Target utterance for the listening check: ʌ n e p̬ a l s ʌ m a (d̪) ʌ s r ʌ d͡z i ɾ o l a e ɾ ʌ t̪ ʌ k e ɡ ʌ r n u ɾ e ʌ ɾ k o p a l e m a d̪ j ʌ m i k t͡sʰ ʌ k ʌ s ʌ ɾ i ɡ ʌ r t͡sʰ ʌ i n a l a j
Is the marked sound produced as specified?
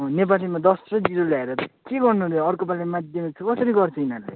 yes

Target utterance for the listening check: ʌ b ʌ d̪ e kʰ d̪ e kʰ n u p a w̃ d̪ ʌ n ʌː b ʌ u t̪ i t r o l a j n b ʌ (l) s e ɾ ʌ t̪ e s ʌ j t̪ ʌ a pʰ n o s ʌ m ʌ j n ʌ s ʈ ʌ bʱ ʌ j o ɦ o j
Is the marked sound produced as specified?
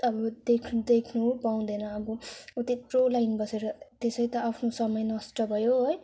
no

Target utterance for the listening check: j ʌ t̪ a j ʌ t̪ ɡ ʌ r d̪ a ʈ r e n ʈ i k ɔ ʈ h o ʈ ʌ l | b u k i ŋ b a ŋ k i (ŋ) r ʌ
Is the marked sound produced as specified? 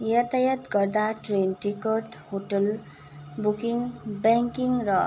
yes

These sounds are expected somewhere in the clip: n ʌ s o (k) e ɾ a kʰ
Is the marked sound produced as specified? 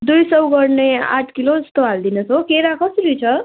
yes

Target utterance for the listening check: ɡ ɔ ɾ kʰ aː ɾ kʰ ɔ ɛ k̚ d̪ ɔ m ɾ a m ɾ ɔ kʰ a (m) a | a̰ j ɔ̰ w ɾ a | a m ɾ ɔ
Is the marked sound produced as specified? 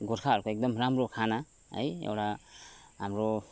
no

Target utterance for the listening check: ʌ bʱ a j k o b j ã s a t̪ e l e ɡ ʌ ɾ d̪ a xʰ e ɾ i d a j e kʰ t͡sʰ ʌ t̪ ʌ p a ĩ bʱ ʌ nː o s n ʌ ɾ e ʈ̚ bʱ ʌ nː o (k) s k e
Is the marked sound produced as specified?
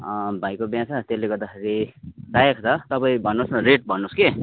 no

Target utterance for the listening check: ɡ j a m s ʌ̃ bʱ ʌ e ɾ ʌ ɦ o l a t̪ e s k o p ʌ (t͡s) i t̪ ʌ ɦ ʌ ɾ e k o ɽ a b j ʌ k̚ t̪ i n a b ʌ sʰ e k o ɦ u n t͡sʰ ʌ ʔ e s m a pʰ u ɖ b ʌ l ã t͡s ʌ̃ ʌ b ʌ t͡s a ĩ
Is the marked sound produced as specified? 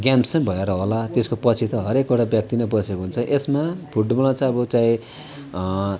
no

